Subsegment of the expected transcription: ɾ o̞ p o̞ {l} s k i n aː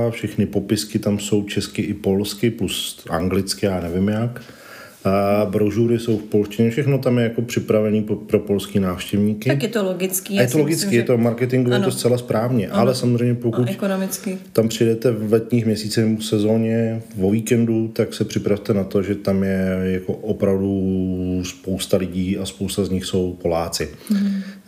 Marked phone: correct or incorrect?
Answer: correct